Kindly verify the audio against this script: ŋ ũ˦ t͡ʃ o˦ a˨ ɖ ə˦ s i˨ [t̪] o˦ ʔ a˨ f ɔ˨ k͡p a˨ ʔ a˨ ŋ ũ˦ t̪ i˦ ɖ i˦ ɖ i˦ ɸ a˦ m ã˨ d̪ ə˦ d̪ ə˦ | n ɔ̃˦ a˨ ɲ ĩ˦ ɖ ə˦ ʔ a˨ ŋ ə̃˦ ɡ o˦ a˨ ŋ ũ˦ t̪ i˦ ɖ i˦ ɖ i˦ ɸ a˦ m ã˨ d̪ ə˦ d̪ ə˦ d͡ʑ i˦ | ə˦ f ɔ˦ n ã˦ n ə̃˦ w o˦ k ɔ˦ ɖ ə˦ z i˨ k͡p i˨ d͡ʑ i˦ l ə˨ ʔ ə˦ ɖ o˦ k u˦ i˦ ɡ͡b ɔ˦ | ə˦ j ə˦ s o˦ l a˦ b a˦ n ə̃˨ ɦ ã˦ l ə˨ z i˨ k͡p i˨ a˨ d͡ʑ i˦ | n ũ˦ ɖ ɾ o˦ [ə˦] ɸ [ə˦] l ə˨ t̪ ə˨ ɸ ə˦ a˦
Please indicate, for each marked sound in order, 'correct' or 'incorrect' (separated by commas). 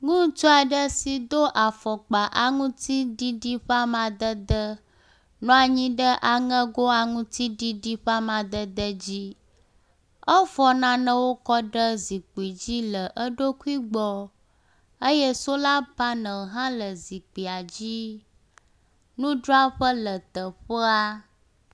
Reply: incorrect, incorrect, correct